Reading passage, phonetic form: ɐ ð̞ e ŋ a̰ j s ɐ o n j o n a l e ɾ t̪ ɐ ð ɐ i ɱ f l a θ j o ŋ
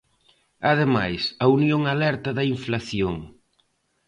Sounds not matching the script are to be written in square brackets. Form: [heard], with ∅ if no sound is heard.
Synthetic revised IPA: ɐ ð̞ e [m] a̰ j s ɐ [u] n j o [ŋ] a l [ɛ] ɾ t̪ ɐ ð ɐ i ɱ f l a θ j o ŋ